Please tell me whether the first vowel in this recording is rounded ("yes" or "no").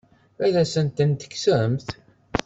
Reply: no